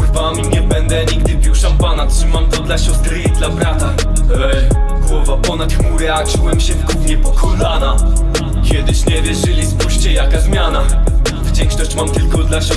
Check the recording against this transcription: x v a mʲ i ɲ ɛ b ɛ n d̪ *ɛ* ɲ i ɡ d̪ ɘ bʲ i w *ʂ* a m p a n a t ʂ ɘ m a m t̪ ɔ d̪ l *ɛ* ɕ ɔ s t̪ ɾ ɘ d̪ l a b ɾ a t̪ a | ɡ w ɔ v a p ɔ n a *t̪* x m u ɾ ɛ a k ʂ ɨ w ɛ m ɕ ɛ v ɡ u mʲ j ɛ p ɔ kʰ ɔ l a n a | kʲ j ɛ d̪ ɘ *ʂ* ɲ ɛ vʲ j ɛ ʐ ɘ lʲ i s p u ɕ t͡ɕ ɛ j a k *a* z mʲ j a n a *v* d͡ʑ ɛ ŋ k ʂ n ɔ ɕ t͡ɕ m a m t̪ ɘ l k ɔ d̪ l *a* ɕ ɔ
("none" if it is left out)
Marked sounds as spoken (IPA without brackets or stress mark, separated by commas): ɛ, ʂ, a, t̪, ɕ, a, v, a